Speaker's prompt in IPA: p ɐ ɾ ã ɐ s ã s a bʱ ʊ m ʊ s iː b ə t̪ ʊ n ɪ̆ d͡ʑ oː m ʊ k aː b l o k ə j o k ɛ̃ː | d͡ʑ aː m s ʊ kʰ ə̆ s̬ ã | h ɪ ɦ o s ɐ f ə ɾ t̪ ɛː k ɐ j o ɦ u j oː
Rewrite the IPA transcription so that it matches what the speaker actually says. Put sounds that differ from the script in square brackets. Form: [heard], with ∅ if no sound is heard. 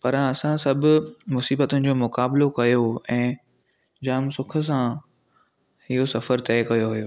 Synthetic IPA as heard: p ɐ ɾ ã ɐ s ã s [ɐ] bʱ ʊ m ʊ s iː b ə t̪ ʊ n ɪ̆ d͡ʑ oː m ʊ k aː b l o k [ɐ] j o [∅] ɛ̃ː | d͡ʑ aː m s ʊ kʰ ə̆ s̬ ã | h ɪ ɦ o s ɐ f ə ɾ t̪ ɛː k ɐ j o ɦ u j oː